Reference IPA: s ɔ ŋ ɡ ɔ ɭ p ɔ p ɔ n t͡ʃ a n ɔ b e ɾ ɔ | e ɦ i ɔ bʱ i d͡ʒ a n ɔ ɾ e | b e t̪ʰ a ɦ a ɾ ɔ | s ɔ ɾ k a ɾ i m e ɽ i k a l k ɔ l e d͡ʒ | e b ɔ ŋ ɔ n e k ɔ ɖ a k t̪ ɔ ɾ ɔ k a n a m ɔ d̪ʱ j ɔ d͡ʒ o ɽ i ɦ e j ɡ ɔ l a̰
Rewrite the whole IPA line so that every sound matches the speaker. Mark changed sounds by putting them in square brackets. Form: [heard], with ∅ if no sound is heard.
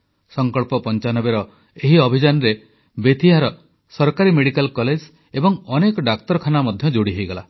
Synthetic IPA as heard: s ɔ ŋ [k] ɔ ɭ p ɔ p ɔ n t͡ʃ a n ɔ b e ɾ ɔ | e ɦ i ɔ bʱ i d͡ʒ a n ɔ ɾ e | b e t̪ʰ [i] ɦ a ɾ ɔ | s ɔ ɾ k a ɾ i m e ɽ i k a l k ɔ l e d͡ʒ | e b ɔ ŋ ɔ n e k ɔ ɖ a k t̪ ɔ ɾ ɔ [kʰ] a n a m ɔ d̪ʱ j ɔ d͡ʒ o ɽ i ɦ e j ɡ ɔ l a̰